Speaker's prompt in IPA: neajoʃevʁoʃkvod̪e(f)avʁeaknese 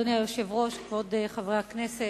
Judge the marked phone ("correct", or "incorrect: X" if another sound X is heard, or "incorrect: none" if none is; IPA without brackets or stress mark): incorrect: χ